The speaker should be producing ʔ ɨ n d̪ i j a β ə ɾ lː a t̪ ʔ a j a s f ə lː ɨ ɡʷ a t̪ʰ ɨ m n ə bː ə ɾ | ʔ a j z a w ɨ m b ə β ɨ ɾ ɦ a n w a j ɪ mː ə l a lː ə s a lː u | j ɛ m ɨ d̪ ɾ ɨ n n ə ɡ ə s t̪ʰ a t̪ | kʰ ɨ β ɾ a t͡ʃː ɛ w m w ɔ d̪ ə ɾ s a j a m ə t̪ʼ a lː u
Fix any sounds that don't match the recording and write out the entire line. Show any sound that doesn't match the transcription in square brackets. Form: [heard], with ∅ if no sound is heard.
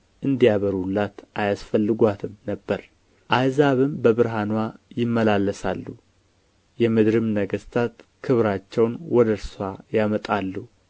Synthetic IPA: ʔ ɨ n d̪ i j a β ə ɾ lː a t̪ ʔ a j a s f ə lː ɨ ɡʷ a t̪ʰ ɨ m n ə bː ə ɾ | ʔ a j z a [β] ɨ m b ə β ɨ ɾ ɦ a n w a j ɪ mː ə l a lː ə s a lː u | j ɛ m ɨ d̪ ɾ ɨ [m] n ə ɡ ə s t̪ʰ a t̪ | kʰ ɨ β ɾ a t͡ʃː ɛ w [n] w ɔ d̪ ə ɾ s a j a m ə t̪ʼ a lː u

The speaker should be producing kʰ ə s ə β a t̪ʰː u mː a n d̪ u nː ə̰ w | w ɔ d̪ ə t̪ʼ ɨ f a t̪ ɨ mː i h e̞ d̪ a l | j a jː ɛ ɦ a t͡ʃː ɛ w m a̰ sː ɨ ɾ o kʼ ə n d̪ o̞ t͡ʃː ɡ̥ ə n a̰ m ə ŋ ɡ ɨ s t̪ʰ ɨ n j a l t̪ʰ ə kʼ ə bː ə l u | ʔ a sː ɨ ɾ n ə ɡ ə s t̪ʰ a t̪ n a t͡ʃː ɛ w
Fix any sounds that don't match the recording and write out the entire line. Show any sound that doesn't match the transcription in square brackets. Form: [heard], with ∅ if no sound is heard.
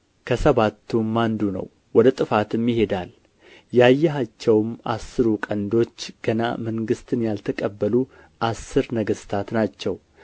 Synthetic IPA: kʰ ə s ə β a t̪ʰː u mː a n d̪ u [n] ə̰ w | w ɔ d̪ ə t̪ʼ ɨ f a t̪ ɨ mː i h e̞ d̪ a l | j a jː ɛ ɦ a t͡ʃː ɛ w m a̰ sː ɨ ɾ [u] kʼ ə n d̪ o̞ t͡ʃː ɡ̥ ə n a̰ m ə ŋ ɡ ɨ s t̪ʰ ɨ n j a l t̪ʰ ə kʼ ə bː ə l u | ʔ a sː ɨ ɾ n ə ɡ ə s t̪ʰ a t̪ n a t͡ʃː ɛ w

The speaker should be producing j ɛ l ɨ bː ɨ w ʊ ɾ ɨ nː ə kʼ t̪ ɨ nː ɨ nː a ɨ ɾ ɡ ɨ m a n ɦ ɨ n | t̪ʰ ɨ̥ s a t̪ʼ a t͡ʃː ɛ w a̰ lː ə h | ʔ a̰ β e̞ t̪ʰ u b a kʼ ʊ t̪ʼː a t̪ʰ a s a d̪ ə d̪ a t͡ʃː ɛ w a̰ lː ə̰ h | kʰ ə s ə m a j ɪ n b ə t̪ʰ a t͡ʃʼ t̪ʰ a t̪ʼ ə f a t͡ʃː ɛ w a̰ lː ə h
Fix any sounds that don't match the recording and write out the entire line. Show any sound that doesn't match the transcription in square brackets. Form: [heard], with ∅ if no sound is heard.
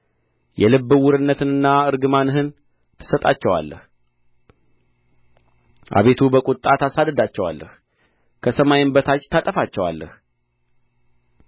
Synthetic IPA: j ɛ l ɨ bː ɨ w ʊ ɾ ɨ nː ə [∅] t̪ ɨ [n] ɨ nː a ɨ ɾ ɡ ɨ m a n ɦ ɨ n | t̪ʰ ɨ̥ s [ə] t̪ʼ a t͡ʃː ɛ w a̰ lː ə h | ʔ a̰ β e̞ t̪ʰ u b [ə] kʼ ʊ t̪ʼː a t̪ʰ a s a d̪ ə d̪ a t͡ʃː ɛ w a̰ lː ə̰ h | kʰ ə s ə m a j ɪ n b ə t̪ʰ a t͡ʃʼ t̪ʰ a t̪ʼ ə f a t͡ʃː ɛ w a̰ lː ə h

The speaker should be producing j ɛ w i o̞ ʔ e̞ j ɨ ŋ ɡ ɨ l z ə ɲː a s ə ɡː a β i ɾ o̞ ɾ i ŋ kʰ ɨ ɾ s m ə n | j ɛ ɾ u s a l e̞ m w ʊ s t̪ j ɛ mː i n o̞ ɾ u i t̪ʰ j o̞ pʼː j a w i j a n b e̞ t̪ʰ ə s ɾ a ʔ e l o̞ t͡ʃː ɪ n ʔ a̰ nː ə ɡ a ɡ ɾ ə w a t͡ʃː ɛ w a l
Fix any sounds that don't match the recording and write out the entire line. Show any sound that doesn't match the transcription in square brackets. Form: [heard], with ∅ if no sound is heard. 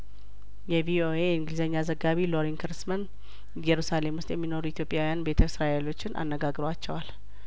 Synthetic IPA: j ɛ [v] i o̞ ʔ e̞ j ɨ ŋ ɡ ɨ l z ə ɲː a [z] ə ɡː a β i [l] o̞ ɾ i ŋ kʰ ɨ ɾ s m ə n | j ɛ ɾ u s a l e̞ m w ʊ s t̪ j ɛ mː i n o̞ ɾ u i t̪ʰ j o̞ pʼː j a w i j a n b e̞ t̪ʰ ə s ɾ a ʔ e l o̞ t͡ʃː ɪ n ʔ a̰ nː ə ɡ a ɡ ɾ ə w a t͡ʃː ɛ w a l

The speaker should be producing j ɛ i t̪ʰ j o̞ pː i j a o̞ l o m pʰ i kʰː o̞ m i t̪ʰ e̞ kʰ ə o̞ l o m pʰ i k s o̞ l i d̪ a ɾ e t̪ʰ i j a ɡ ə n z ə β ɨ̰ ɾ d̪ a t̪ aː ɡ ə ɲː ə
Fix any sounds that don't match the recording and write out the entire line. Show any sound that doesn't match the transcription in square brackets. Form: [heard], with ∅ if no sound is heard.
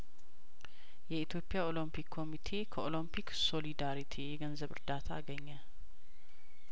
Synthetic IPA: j ɛ i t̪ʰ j o̞ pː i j a o̞ l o m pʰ i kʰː o̞ m i t̪ʰ e̞ kʰ ə o̞ l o m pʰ i k s o̞ l i d̪ a ɾ [i] t̪ʰ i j [ɛ] ɡ ə n z ə β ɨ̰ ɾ d̪ a [t̪ʰ] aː ɡ ə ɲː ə

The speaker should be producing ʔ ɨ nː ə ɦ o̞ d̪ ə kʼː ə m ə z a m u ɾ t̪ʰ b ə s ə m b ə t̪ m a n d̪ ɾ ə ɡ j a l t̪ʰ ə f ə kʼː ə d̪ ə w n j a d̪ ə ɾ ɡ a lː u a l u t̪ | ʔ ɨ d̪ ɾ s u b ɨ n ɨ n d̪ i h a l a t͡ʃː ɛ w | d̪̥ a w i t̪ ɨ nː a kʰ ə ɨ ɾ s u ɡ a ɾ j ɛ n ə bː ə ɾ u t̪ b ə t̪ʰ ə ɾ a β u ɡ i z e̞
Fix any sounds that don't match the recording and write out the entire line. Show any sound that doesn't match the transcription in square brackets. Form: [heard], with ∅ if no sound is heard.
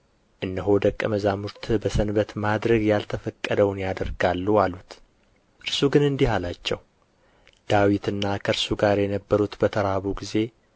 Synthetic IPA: ʔ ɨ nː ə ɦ o̞ d̪ ə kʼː ə m ə z a m u ɾ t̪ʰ b ə s ə [n] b ə t̪ m a [∅] d̪ ɾ ə ɡ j a l t̪ʰ ə f ə kʼː ə d̪ ə w n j a d̪ ə ɾ ɡ a lː u a l u t̪ | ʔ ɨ [∅] ɾ s u [ɡ] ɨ n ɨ n d̪ i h a l a t͡ʃː ɛ w | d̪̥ a w i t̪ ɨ nː a kʰ ə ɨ ɾ s u ɡ a ɾ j ɛ n ə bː ə ɾ u t̪ b ə t̪ʰ ə ɾ a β u ɡ i z e̞

